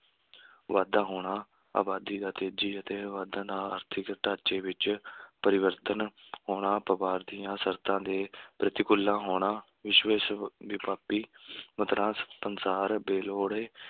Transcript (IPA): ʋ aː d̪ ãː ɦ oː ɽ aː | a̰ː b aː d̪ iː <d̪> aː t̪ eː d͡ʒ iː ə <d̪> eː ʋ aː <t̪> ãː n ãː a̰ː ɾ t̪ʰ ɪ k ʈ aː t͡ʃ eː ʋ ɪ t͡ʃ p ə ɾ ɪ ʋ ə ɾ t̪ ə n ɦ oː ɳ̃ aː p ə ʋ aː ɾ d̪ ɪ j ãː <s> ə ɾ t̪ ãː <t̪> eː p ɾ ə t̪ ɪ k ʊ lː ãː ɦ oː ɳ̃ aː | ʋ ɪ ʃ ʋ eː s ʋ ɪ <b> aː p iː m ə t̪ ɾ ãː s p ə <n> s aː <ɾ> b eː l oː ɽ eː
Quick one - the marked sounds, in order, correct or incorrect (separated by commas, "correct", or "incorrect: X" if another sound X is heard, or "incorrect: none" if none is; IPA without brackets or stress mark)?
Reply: correct, incorrect: t̪, incorrect: d̪, correct, incorrect: d̪, incorrect: p, correct, correct